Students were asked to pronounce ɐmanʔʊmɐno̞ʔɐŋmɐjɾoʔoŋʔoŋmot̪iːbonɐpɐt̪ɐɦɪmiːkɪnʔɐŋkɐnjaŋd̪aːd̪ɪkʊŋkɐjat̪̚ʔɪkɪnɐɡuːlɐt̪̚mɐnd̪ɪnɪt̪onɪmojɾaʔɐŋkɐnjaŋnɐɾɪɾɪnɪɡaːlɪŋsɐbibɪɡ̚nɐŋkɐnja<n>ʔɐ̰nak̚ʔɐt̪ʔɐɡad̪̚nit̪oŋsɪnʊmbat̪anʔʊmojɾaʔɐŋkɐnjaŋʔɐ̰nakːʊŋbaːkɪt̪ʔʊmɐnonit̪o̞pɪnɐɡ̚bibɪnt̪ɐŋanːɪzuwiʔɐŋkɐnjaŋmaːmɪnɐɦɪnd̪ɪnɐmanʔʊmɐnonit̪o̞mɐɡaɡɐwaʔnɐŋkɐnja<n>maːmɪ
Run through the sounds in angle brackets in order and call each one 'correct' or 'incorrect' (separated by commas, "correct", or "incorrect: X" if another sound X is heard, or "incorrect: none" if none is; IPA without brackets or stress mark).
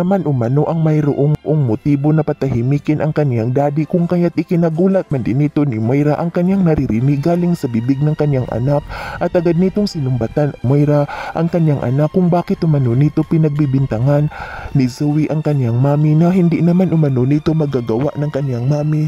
incorrect: ŋ, incorrect: ŋ